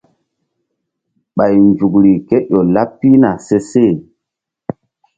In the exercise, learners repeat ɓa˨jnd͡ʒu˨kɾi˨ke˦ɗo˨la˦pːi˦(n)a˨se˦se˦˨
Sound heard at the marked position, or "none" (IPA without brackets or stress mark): n